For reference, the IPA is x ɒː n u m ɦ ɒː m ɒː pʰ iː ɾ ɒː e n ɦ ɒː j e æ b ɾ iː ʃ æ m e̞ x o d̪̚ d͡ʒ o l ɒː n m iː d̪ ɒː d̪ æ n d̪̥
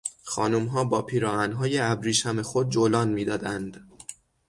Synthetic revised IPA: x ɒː n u m ɦ ɒː b ɒː pʰ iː ɾ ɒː æ n ɦ ɒː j e æ b ɾ iː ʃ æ m e̞ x o d̪̚ d͡ʒ o l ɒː n m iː d̪ ɒː d̪ æ n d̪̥